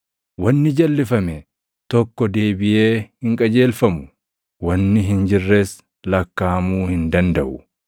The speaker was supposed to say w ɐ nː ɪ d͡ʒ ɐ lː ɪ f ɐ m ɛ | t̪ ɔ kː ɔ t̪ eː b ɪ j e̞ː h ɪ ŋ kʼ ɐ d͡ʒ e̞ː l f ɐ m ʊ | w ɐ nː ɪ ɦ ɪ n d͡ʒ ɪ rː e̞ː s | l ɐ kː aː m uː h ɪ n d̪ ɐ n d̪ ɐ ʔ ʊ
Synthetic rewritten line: w ɐ nː ɪ d͡ʒ ɐ lː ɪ f ɐ m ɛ | t̪ ɔ kː ɔ d̪ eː b ɪ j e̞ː h ɪ ŋ kʼ ɐ d͡ʒ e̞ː l f ɐ m ʊ | w ɐ nː ɪ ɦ ɪ n d͡ʒ ɪ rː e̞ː s | l ɐ kː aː m uː h ɪ n d̪ ɐ n d̪ ɐ ʔ ʊ

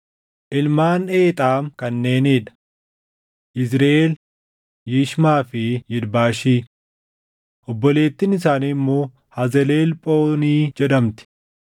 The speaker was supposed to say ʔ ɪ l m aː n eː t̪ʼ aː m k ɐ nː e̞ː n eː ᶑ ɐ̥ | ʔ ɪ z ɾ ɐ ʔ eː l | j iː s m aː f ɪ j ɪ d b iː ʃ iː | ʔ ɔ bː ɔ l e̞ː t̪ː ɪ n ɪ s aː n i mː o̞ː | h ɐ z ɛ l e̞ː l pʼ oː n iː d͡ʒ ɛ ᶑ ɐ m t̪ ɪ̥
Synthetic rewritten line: ʔ ɪ l m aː n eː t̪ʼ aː m k ɐ nː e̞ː n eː ᶑ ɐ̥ | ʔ ɪ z ɾ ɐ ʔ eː l | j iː ʃ m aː f ɪ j ɪ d b aː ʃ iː | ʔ ɔ bː ɔ l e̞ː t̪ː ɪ n ɪ s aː n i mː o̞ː | h ɐ z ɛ l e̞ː l pʼ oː n iː d͡ʒ ɛ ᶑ ɐ m t̪ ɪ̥

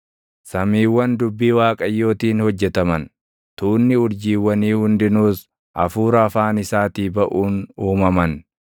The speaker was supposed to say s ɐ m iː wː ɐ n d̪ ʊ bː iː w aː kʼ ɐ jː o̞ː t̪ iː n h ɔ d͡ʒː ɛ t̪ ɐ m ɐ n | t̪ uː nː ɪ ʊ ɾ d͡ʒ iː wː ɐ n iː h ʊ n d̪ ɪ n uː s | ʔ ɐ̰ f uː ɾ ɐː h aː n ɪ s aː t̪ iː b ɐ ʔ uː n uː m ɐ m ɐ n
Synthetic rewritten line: s ɐ m iː wː ɐ n d̪ ʊ bː iː w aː kʼ ɐ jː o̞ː t̪ iː n h ɔ d͡ʒː ɛ t̪ ɐ m ɐ n | t̪ uː nː ɪ ʊ ɾ d͡ʒ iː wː ɐ n iː h ʊ n d̪ ɪ n uː s | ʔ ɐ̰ f uː ɾ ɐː f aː n ɪ s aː t̪ iː b ɐ ʔ uː n uː m ɐ m ɐ n

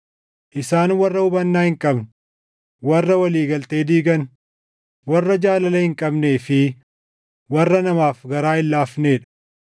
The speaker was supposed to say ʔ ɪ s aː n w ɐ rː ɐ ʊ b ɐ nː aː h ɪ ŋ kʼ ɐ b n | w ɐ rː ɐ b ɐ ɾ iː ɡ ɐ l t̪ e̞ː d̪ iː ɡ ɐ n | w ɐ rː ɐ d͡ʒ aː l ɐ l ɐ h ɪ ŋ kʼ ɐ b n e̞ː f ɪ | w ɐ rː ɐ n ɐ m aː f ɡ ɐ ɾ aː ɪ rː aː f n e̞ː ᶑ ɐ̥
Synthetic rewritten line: ʔ ɪ s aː n w ɐ rː ɐ ʊ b ɐ nː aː h ɪ ŋ kʼ ɐ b n | w ɐ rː ɐ w ɐ l iː ɡ ɐ l t̪ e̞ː d̪ iː ɡ ɐ n | w ɐ rː ɐ d͡ʒ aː l ɐ l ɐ h ɪ ŋ kʼ ɐ b n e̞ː f ɪ | w ɐ rː ɐ n ɐ m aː f ɡ ɐ ɾ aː ɪ lː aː f n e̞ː ᶑ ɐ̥

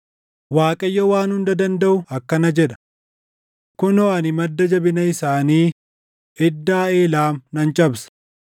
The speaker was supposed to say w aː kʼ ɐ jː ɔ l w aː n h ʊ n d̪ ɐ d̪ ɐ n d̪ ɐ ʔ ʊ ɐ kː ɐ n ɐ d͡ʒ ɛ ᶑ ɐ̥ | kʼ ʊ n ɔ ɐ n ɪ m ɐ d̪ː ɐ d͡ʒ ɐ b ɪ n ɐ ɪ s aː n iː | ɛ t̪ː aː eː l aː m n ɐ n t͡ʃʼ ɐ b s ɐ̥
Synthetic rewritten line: w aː kʼ ɐ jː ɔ w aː n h ʊ n d̪ ɐ d̪ ɐ n d̪ ɐ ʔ ʊ ɐ kː ɐ n ɐ d͡ʒ ɛ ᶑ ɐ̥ | k ʊ n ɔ ɐ n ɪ m ɐ d̪ː ɐ d͡ʒ ɐ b ɪ n ɐ ɪ s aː n iː | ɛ d̪ː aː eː l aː m n ɐ n t͡ʃʼ ɐ b s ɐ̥

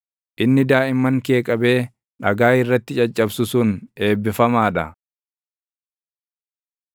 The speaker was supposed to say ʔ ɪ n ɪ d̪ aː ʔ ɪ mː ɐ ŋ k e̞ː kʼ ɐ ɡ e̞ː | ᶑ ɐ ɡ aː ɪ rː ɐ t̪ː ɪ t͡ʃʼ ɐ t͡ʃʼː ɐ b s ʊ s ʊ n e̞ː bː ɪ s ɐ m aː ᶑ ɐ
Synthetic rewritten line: ʔ ɪ nː ɪ d̪ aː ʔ ɪ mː ɐ ŋ k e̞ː kʼ ɐ b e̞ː | ᶑ ɐ ɡ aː ɪ rː ɐ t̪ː ɪ t͡ʃʼ ɐ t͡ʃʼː ɐ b s ʊ s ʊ n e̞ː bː ɪ f ɐ m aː ᶑ ɐ

